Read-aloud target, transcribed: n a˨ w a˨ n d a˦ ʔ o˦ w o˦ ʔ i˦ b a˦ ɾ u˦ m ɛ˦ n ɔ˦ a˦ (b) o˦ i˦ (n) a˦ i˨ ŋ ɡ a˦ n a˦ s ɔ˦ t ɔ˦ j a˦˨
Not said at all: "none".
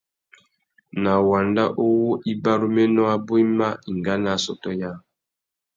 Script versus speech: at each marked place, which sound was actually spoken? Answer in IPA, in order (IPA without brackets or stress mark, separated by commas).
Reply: b, m